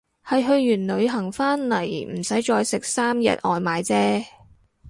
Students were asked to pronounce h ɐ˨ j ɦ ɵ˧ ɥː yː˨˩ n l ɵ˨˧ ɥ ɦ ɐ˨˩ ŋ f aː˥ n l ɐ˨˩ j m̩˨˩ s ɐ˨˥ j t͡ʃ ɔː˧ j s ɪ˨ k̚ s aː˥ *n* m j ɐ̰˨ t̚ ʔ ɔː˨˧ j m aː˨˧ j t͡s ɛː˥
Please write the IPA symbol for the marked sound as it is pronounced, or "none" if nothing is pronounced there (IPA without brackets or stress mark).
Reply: none